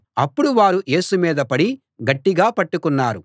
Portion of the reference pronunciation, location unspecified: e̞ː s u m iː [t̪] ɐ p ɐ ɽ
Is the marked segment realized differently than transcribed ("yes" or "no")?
yes